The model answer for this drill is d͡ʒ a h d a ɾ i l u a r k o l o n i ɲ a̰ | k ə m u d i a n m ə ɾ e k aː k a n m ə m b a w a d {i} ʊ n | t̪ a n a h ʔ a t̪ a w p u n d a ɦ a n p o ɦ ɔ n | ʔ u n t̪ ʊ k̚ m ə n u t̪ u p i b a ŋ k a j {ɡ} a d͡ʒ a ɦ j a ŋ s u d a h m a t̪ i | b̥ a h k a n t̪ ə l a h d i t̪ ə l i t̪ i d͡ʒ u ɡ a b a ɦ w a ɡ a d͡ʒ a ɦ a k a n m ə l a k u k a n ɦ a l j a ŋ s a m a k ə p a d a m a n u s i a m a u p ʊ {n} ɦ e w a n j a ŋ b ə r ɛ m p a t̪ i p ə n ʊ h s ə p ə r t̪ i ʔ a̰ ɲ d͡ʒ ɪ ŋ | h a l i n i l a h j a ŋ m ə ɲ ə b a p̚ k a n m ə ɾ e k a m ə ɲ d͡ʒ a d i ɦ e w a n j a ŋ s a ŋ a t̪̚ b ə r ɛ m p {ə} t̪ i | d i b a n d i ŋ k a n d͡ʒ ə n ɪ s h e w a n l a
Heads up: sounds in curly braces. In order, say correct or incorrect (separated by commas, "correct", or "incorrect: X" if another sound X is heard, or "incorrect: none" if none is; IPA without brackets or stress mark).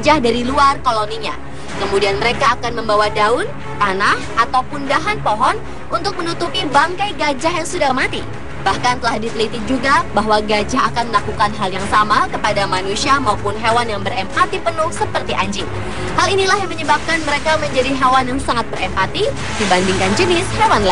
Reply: incorrect: a, correct, correct, incorrect: a